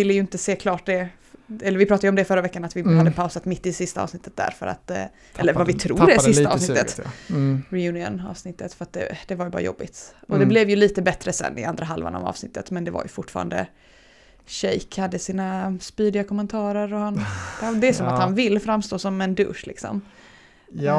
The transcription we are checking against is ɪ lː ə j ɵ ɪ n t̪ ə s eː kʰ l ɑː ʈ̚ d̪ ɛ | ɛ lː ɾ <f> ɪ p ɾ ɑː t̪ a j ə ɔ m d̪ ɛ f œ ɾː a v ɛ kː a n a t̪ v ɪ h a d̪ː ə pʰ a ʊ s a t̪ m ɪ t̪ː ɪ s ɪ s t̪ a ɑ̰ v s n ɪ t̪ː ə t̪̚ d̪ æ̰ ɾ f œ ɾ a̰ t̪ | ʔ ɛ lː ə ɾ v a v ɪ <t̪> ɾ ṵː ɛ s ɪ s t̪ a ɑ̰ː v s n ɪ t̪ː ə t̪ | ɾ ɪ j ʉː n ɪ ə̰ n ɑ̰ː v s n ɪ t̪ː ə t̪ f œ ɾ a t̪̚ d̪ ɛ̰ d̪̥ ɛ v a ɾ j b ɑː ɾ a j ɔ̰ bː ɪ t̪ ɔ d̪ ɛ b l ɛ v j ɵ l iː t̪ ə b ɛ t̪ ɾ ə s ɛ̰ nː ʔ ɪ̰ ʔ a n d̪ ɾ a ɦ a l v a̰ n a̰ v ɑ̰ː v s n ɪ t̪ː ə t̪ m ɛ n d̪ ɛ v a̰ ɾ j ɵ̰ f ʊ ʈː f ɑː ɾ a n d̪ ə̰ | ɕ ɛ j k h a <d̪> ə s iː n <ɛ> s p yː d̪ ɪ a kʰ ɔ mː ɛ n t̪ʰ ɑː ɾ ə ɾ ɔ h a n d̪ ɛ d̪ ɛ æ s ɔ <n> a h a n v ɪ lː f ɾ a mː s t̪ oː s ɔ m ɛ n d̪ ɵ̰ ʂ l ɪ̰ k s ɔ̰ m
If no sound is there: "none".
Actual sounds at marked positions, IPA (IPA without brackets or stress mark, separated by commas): v, t̪ʰ, d̪ː, a, m